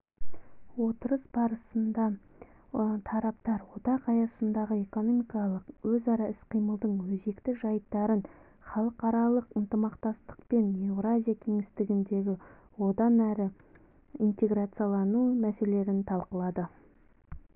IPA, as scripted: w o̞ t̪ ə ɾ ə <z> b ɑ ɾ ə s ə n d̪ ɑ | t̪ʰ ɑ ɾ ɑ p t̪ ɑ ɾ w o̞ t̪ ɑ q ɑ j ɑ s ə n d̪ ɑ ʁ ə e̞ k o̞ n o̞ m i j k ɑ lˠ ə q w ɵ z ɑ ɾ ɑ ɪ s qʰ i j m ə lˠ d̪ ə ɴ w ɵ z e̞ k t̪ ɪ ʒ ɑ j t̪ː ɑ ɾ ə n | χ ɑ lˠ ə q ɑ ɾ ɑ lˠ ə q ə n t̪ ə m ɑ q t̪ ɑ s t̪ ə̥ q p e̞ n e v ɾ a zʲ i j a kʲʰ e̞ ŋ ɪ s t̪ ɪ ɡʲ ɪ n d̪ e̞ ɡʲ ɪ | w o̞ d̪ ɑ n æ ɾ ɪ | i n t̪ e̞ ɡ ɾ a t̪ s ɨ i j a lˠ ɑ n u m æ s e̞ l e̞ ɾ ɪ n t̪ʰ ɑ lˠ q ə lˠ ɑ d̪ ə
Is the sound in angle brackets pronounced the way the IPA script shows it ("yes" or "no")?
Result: no